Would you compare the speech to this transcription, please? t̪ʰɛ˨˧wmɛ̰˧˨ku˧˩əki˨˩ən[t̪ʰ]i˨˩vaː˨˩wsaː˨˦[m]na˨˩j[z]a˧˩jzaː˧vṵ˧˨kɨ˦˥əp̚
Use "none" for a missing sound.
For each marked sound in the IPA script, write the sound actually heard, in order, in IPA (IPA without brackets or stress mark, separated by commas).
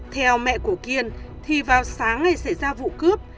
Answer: t̪ʰ, ŋ, s